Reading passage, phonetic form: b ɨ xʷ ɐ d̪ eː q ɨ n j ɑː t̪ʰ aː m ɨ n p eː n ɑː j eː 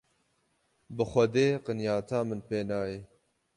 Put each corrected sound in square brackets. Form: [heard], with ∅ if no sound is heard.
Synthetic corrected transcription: b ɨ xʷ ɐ d̪ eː q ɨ n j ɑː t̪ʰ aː m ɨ n p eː n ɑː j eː